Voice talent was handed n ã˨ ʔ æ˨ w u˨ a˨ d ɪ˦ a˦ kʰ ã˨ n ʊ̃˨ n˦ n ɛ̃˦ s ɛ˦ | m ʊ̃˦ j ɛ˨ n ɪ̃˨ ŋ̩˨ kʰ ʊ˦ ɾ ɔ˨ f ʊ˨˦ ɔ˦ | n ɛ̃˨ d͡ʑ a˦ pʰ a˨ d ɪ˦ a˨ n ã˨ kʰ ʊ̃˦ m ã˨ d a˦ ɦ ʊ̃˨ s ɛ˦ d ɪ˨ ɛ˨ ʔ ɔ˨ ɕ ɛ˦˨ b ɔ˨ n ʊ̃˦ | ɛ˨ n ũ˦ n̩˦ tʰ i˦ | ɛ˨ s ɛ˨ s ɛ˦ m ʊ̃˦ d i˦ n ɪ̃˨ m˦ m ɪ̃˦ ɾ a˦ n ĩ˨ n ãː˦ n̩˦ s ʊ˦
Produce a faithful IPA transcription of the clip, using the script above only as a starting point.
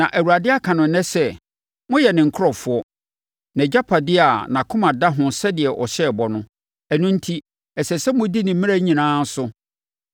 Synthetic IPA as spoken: n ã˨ ʔ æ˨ w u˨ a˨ d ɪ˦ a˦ kʰ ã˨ n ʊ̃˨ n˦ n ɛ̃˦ s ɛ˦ | m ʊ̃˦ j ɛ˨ n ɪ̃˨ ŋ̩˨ kʰ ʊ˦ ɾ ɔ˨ f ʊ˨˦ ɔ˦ | n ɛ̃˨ d͡ʑ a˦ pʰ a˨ d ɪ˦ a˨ n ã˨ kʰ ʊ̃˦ m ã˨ d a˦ ɦ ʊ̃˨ s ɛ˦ d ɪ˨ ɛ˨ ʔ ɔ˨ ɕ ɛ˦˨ b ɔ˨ n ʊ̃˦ | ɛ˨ n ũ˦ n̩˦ tʰ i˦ | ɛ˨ s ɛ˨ s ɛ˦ m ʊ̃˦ d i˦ n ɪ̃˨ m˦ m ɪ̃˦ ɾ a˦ ɲ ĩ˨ n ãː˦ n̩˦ s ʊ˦